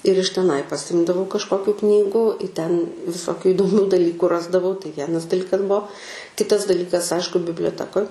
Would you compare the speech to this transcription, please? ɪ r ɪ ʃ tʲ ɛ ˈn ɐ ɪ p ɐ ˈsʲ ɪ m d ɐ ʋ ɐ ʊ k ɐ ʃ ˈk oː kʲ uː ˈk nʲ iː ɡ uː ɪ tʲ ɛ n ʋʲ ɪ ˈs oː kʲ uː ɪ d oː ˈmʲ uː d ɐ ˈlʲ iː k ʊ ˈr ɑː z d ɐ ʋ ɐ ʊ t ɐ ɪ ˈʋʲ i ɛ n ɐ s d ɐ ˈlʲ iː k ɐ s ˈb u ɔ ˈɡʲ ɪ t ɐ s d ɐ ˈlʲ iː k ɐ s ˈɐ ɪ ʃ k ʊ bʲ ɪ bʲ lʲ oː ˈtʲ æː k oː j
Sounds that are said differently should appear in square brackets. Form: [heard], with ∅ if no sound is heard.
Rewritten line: ɪ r ɪ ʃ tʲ ɛ ˈn ɐ ɪ p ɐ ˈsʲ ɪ m d ɐ ʋ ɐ ʊ k ɐ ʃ ˈk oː kʲ uː ˈk nʲ iː ɡ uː ɪ tʲ ɛ n ʋʲ ɪ ˈs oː kʲ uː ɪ d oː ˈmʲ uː d ɐ ˈlʲ iː k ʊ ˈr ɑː z d ɐ ʋ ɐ ʊ t ɐ ɪ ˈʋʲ i ɛ n ɐ s d ɐ ˈlʲ iː k ɐ s ˈb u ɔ [ˈkʲ] ɪ t ɐ s d ɐ ˈlʲ iː k ɐ s ˈɐ ɪ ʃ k ʊ bʲ ɪ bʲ lʲ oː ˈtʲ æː k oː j